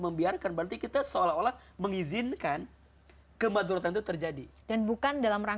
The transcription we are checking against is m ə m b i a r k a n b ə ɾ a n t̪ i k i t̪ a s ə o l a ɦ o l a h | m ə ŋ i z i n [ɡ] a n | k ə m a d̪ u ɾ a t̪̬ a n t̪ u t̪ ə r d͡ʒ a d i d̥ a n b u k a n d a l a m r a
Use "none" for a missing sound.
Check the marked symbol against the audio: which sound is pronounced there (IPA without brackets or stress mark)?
k